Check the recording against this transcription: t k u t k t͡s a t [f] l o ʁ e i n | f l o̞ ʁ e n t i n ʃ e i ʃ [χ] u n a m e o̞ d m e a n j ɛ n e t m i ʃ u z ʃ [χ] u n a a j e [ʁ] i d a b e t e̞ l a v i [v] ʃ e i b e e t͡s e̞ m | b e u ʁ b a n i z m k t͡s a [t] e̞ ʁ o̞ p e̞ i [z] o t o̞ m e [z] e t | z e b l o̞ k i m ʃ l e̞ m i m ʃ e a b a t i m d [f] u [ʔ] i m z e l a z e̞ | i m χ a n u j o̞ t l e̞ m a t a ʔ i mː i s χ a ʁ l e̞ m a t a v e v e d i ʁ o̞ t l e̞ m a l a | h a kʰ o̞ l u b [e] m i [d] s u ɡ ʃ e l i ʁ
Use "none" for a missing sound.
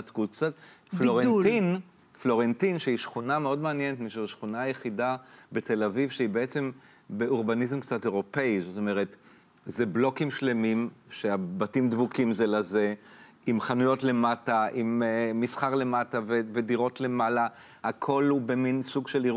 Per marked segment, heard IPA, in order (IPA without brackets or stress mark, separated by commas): f, χ, χ, χ, v, t, z, ʁ, v, k, e, n